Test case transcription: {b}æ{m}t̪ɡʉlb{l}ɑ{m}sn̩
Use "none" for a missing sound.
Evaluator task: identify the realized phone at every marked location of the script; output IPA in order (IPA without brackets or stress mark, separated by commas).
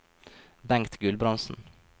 b, ŋ, ɾ, n